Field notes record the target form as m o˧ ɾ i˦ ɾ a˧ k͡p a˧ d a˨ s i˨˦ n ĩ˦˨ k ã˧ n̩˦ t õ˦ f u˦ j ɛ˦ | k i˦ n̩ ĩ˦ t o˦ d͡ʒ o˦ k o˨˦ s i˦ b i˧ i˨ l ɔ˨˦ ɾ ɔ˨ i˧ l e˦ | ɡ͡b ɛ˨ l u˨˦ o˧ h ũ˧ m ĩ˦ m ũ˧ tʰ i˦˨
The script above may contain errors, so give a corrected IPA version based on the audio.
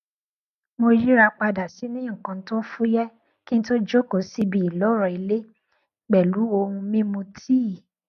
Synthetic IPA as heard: m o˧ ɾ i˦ ɾ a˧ k͡p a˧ d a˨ s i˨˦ n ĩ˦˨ k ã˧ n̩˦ t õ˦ f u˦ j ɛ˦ | k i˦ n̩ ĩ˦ t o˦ d͡ʒ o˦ k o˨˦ s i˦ b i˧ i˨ l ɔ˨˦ ɾ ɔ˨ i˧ l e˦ | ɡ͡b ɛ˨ l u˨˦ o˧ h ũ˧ m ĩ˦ m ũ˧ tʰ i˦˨